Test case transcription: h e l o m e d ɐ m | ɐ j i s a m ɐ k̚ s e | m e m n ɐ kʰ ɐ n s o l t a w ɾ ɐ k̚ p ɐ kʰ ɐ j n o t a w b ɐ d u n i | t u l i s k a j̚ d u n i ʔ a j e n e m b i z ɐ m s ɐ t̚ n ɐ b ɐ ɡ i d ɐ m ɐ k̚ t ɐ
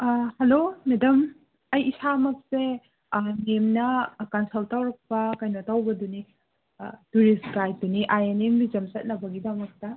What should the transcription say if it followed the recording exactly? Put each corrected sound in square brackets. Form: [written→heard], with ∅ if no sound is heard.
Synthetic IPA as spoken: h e l o m e d ɐ m | ɐ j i s a m ɐ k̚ s e | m e m n ɐ [kʰ→k] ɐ n s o l t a w ɾ ɐ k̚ p ɐ [kʰ→k] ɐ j n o t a w b ɐ d u n i | t u [l→ɾ] i s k a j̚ d u n i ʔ a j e n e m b i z ɐ m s ɐ t̚ n ɐ b ɐ ɡ i d ɐ m ɐ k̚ t ɐ